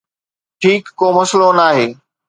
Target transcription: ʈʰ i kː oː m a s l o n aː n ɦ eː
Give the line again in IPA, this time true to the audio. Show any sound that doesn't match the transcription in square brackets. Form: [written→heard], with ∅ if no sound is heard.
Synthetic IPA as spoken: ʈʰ [i→iː] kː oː m [a→ɐ] s l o n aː [n→∅] ɦ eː